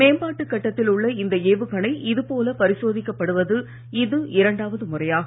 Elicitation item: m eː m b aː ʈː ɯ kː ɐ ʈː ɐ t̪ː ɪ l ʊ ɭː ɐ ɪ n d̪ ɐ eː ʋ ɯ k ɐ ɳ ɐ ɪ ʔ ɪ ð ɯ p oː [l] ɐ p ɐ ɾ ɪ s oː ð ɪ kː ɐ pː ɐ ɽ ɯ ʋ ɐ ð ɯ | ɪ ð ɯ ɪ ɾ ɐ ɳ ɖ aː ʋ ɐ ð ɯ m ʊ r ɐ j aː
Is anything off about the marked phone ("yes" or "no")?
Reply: no